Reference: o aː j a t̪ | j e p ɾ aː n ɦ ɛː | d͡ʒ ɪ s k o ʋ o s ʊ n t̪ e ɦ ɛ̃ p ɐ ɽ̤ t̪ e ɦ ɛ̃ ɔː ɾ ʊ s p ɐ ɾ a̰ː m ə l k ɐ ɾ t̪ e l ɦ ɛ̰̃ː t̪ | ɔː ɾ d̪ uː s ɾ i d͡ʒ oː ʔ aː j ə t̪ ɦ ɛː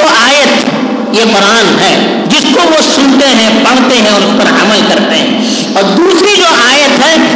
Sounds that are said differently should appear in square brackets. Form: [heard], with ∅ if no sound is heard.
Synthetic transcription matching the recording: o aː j [ə] t̪ | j e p ɾ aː n ɦ ɛː | d͡ʒ ɪ s k o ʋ o s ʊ n t̪ e ɦ ɛ̃ p ɐ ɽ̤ t̪ e ɦ ɛ̃ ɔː ɾ ʊ s p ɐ ɾ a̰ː m ə l k ɐ ɾ t̪ e [∅] ɦ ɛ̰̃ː [∅] | ɔː ɾ d̪ uː s ɾ i d͡ʒ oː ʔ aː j ə t̪ ɦ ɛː